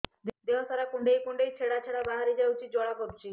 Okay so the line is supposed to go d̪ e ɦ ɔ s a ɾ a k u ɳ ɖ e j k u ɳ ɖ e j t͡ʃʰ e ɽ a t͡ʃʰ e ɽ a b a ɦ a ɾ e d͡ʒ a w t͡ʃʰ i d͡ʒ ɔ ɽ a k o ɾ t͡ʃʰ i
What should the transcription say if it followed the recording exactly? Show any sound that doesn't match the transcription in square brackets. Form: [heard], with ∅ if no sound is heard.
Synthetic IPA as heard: d̪ e ɦ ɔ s a ɾ a k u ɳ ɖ e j k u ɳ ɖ e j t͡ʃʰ e ɽ a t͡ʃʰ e ɽ a b a ɦ a ɾ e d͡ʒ a w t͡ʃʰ i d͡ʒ ɔ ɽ a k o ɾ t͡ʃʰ i